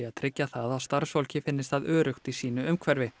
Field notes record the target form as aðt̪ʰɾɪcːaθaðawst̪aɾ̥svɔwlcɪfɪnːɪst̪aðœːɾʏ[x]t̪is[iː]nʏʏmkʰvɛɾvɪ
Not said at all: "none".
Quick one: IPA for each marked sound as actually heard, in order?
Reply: x, iː

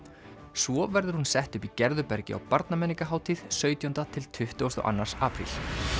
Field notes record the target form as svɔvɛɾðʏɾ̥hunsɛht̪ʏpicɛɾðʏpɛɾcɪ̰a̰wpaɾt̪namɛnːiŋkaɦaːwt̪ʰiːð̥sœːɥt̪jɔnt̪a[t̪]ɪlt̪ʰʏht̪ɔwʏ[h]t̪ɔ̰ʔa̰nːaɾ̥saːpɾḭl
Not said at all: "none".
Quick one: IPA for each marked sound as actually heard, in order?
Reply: t̪ʰ, s

